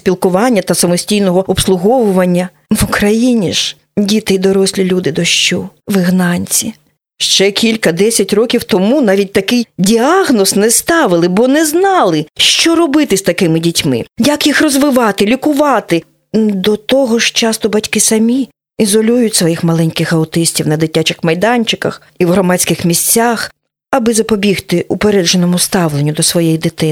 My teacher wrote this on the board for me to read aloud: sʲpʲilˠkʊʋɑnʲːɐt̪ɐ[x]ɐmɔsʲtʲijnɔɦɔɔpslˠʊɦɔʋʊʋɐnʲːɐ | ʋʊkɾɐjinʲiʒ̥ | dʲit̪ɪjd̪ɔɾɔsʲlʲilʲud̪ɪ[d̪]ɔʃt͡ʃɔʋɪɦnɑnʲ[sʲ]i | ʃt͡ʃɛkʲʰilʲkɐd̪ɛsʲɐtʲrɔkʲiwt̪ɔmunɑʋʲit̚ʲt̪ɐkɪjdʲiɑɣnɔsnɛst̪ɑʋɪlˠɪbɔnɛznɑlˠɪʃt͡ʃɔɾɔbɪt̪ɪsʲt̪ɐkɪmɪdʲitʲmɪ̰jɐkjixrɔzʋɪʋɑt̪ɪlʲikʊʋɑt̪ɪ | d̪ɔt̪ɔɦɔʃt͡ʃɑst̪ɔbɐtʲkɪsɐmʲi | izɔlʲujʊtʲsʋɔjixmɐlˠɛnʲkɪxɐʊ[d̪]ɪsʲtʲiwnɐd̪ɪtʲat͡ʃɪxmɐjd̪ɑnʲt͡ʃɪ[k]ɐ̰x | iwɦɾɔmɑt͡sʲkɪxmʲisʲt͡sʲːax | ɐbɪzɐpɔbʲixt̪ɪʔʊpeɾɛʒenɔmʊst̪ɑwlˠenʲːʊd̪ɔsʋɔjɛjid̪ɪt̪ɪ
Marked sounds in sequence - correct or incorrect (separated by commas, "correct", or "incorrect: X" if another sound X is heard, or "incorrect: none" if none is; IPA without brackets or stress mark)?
incorrect: s, correct, incorrect: t͡sʲ, incorrect: t̪, correct